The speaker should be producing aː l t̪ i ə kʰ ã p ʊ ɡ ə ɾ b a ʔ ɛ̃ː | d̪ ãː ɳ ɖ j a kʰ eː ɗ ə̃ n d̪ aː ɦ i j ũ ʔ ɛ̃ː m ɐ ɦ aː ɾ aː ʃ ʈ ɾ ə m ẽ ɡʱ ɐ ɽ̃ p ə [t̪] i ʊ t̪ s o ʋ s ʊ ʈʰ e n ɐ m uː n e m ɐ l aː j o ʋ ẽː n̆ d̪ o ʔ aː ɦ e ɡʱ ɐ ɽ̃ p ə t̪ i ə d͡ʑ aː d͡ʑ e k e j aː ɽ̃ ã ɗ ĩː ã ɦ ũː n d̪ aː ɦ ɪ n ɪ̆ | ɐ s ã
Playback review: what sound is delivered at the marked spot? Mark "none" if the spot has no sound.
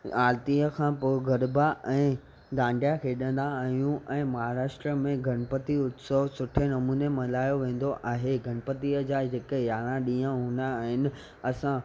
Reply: t̪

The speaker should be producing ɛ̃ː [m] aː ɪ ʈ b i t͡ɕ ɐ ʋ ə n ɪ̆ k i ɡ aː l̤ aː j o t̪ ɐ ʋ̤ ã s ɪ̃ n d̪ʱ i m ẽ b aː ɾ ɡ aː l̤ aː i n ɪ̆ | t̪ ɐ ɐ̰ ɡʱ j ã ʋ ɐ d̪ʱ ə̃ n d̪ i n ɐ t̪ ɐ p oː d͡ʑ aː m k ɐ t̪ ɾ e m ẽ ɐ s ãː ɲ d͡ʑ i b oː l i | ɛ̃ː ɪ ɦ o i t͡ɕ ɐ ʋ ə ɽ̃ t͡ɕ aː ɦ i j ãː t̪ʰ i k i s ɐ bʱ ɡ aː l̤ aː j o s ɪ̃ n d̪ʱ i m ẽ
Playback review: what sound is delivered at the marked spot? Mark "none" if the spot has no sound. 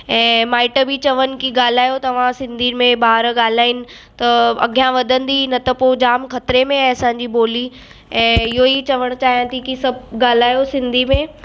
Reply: m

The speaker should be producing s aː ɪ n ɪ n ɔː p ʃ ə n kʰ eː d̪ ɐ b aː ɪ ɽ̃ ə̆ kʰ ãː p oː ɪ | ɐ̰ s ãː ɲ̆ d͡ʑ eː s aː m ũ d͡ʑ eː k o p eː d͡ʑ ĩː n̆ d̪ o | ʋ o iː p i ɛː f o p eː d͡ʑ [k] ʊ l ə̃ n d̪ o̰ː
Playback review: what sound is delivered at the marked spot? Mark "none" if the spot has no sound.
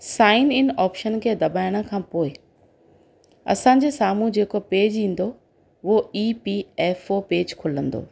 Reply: kʰ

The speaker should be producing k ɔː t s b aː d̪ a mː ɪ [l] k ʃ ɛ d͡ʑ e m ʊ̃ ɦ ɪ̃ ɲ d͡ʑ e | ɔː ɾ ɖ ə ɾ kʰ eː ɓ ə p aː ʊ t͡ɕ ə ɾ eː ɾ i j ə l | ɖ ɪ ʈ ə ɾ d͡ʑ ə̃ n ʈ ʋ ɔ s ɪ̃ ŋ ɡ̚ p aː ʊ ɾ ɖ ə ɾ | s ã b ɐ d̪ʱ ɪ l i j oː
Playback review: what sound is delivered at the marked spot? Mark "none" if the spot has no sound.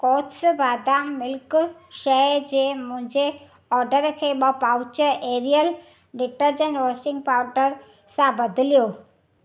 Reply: l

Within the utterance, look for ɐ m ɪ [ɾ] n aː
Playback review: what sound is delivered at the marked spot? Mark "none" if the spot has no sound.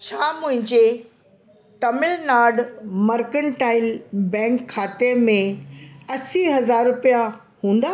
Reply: l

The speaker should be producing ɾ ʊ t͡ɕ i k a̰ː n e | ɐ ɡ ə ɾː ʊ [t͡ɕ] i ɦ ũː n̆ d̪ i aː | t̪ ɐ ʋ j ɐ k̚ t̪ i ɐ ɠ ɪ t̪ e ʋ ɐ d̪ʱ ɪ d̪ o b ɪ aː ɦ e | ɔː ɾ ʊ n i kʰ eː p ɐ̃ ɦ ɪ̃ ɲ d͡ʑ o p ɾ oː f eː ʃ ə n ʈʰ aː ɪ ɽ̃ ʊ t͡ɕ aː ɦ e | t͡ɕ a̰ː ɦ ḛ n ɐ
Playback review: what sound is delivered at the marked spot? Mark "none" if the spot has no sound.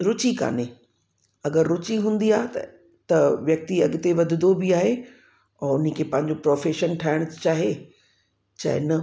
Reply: t͡ɕ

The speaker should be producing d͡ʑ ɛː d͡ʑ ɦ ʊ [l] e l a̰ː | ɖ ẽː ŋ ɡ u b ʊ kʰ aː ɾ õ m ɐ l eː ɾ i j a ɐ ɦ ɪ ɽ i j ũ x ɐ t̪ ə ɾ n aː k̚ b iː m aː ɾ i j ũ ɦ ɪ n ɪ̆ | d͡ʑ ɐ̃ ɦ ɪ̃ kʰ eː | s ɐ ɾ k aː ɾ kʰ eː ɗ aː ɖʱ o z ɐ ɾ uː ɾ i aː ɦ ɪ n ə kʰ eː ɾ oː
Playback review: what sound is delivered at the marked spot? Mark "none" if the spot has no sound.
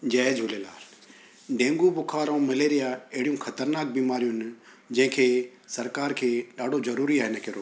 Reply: l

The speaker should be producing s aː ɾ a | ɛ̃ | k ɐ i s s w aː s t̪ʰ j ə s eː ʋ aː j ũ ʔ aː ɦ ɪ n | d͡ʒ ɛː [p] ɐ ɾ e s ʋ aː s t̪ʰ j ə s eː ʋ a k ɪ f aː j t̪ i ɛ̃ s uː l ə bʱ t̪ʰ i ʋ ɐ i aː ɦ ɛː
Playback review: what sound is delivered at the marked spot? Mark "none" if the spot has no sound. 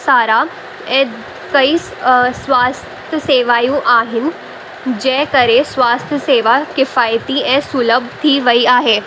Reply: k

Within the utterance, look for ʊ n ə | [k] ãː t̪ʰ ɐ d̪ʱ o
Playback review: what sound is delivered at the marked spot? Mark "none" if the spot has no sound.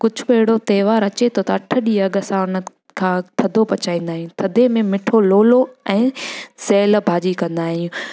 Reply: kʰ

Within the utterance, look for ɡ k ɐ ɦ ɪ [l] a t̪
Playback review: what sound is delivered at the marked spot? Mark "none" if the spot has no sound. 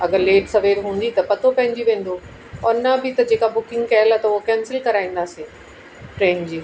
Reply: l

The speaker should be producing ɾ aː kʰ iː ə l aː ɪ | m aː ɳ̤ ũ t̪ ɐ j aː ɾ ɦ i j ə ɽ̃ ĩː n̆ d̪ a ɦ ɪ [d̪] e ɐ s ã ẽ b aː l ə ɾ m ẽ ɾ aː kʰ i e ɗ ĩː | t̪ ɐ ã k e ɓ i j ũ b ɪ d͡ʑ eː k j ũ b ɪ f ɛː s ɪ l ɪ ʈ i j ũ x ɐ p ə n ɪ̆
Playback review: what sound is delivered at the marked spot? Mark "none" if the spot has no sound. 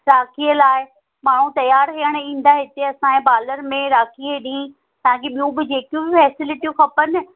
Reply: t̪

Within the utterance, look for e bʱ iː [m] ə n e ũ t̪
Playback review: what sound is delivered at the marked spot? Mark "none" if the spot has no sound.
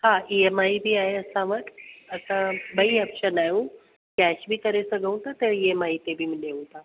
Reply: m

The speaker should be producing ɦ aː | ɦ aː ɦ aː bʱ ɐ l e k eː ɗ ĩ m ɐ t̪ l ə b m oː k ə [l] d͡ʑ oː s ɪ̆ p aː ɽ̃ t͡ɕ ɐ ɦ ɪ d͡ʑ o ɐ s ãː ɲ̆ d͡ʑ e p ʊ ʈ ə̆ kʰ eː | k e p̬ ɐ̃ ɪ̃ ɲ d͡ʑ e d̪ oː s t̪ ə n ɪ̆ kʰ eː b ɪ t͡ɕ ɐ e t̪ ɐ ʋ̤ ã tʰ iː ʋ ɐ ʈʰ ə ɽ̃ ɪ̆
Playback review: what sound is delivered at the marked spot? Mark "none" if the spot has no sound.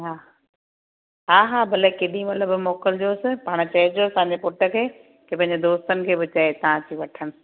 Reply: l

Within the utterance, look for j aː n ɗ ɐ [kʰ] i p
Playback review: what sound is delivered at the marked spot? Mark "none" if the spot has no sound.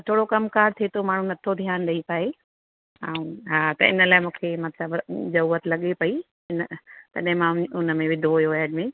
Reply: none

